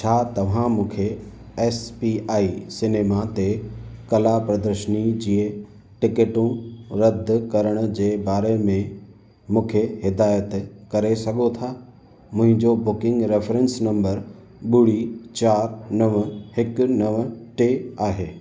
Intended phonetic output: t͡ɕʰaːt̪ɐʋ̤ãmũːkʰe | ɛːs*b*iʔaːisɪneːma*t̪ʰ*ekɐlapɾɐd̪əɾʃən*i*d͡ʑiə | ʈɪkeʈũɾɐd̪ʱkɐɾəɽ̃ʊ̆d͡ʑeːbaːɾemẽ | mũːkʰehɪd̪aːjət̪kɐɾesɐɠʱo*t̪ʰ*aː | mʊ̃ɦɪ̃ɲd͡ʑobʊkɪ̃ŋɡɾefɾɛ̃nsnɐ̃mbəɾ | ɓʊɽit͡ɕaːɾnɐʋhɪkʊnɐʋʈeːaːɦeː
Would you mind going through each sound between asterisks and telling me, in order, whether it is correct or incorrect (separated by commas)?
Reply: incorrect, incorrect, correct, correct